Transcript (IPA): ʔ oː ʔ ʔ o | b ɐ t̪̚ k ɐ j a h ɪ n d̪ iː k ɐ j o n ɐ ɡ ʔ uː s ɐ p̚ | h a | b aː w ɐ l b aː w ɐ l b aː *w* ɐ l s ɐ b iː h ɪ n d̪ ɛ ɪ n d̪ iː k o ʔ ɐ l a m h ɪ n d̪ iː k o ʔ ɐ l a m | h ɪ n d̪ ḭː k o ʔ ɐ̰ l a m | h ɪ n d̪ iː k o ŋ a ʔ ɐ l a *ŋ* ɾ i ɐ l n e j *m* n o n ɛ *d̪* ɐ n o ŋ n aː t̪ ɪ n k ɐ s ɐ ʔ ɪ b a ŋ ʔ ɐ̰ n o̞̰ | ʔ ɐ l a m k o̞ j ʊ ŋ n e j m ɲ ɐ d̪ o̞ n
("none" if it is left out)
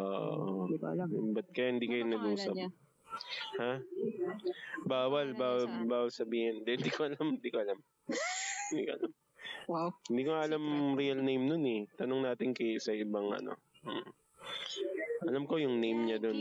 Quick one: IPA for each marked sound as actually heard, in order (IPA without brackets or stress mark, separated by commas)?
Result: w, m, m, t̪